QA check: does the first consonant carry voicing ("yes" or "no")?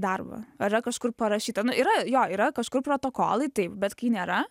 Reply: yes